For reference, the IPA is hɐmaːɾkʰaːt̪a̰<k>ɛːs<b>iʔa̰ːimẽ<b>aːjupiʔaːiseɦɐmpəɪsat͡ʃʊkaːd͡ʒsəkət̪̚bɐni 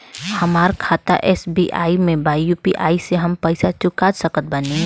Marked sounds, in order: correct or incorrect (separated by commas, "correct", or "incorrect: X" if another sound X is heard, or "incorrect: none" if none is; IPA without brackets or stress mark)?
incorrect: ʔ, correct, correct